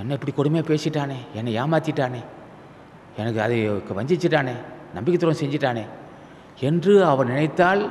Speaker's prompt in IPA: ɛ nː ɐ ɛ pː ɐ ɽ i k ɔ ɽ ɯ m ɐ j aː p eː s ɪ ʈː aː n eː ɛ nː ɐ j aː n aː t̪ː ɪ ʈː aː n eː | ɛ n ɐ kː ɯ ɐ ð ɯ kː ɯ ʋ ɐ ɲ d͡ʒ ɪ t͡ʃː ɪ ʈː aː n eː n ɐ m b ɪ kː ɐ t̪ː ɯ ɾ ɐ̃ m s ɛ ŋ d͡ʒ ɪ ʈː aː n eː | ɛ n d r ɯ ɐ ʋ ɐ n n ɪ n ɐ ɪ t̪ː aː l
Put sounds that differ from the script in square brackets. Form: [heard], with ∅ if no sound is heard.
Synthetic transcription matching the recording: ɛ nː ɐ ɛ pː ɐ ɽ i k ɔ ɽ ɯ m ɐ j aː p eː s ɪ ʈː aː n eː ɛ nː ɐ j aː [m] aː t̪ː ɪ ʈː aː n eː | ɛ n ɐ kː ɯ ɐ ð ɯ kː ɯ ʋ ɐ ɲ d͡ʒ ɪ t͡ʃː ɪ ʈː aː n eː n ɐ m b ɪ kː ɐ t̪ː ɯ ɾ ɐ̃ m s ɛ [ɲ] d͡ʒ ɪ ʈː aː n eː | ɛ n d r ɯ ɐ ʋ ɐ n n ɪ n ɐ ɪ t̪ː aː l